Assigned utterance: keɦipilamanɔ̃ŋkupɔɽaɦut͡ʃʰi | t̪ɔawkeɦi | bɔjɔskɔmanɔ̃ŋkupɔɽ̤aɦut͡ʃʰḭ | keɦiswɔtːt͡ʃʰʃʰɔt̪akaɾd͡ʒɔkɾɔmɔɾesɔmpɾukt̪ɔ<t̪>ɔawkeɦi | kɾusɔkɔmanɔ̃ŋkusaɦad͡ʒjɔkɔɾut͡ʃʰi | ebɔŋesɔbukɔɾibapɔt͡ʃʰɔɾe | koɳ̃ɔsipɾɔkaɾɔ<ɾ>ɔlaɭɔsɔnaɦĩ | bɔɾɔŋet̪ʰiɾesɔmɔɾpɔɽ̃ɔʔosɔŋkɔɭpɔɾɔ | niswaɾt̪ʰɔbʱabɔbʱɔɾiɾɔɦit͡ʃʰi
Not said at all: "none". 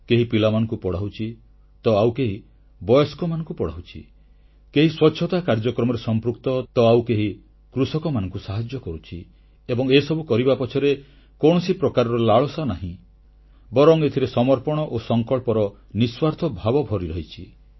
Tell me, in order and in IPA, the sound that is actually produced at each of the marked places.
t̪, ɾ

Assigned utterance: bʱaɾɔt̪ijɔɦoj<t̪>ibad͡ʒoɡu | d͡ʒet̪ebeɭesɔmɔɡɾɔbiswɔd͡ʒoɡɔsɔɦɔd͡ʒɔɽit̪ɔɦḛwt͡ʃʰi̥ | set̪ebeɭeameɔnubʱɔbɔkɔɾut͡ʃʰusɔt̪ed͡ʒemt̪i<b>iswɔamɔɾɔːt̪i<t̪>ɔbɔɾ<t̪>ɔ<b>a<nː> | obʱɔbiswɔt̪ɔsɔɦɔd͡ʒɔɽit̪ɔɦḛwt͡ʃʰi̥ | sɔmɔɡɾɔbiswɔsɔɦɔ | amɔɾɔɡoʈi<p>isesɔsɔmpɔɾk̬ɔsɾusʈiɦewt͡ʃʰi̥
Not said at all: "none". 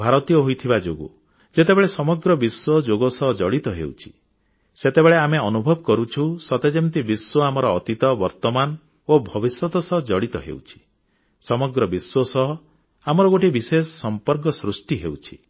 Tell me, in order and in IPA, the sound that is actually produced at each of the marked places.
t̪ʰ, b, t̪, t̪, m, n, b

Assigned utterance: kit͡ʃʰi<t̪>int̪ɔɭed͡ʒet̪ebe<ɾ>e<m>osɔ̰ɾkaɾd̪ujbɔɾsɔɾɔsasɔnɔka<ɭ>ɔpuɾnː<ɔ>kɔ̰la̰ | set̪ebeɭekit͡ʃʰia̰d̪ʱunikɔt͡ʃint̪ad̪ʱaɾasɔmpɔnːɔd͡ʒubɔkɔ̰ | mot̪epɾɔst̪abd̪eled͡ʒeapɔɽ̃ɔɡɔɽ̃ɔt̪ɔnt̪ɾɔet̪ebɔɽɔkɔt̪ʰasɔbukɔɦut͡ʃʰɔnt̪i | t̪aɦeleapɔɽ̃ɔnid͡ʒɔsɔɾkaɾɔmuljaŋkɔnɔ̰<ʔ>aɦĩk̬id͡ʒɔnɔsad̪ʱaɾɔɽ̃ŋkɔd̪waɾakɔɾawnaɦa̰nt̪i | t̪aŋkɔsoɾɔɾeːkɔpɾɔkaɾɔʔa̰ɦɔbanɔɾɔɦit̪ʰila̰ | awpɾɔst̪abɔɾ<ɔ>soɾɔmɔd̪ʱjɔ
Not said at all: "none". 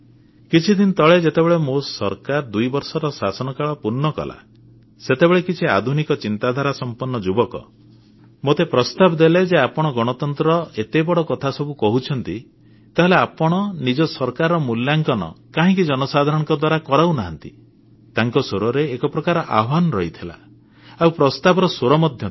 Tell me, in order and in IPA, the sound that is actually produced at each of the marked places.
d̪, ɭ, m, ɭ, ɔ, k, ɔ

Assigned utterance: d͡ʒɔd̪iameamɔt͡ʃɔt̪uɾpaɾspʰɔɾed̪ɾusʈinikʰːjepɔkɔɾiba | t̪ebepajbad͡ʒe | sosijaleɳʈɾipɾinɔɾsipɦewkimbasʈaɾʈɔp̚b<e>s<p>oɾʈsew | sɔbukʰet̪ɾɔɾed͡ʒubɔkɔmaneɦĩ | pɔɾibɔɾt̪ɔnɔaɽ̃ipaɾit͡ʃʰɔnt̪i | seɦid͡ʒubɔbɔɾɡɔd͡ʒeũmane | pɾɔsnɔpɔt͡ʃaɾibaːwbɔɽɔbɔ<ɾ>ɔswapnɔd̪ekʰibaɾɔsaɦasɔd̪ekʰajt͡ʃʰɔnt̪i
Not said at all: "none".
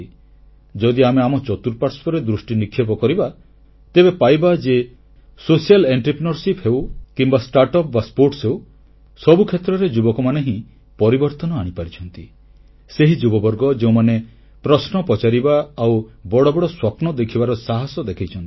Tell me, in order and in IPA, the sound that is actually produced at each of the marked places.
a, p, ɽ

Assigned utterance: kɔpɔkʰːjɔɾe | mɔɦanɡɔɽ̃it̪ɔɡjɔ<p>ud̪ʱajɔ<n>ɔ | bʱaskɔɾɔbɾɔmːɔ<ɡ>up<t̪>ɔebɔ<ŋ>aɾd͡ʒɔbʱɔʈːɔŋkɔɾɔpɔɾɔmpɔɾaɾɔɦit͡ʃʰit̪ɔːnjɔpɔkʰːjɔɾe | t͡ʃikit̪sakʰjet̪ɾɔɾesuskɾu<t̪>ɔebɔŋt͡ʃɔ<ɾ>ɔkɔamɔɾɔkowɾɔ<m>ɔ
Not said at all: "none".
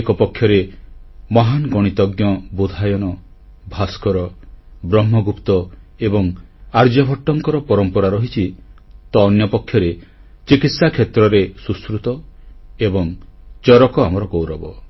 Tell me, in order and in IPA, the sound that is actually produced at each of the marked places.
b, n, ɡ, t̪, ŋ, t̪, ɾ, b

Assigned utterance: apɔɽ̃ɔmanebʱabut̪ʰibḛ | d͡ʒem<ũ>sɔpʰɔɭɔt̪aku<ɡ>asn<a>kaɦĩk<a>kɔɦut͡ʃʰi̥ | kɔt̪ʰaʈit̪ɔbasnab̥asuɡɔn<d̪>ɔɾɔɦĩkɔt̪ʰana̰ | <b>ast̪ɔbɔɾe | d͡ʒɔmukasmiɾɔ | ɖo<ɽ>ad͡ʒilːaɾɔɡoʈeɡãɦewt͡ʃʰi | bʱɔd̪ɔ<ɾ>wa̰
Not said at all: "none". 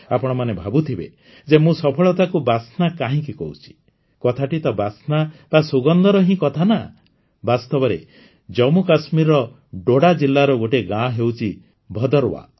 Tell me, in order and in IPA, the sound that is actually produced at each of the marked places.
ũ, b, a, i, d̪, b, ɽ, ɾ

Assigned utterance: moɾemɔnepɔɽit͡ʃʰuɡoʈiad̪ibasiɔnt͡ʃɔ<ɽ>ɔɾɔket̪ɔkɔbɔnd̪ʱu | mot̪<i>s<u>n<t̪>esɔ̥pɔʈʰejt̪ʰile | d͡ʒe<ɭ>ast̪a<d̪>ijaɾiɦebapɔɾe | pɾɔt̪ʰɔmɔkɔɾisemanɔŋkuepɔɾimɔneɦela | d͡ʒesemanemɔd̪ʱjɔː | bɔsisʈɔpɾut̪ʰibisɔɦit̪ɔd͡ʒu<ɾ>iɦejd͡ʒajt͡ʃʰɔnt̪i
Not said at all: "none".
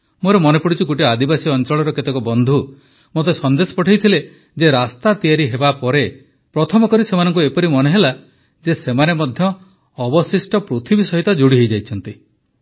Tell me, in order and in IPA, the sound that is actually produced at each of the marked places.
ɭ, e, ɔ, d̪, ɾ, t̪, ɽ

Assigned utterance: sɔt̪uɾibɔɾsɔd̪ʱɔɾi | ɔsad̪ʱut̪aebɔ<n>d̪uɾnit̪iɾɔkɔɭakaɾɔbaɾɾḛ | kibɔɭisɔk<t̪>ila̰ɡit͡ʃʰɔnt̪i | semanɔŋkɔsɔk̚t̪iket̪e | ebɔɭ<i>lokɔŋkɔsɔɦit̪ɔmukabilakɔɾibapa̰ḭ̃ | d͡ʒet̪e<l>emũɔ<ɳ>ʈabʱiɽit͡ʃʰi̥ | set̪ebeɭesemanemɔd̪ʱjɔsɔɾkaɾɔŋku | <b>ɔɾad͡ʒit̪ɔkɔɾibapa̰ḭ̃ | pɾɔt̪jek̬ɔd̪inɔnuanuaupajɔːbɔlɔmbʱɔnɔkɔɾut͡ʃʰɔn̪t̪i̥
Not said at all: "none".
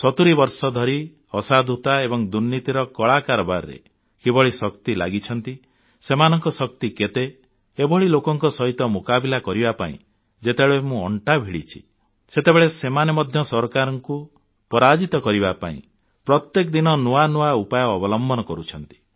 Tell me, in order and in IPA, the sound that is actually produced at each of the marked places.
ŋ, t̪, i, ɭ, ɳ, p

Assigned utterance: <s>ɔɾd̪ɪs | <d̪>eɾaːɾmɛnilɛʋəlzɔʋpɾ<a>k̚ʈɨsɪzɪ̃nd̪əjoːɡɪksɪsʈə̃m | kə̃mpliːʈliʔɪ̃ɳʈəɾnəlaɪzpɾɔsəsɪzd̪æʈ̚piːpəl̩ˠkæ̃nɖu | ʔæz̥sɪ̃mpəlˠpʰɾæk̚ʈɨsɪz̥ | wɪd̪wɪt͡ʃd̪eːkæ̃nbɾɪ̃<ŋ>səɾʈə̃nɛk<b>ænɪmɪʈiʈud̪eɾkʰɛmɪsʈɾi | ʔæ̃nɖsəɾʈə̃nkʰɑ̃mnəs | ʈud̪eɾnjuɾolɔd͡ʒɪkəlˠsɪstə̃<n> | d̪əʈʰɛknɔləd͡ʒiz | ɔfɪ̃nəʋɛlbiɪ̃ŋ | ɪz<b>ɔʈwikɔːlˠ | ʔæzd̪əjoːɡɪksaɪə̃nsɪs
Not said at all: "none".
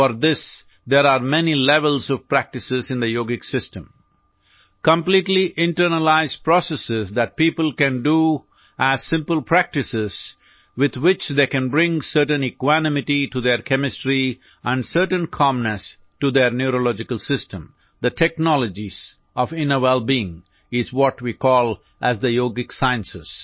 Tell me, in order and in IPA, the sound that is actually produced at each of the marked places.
f, d̪, æ, ŋ, w, m, w

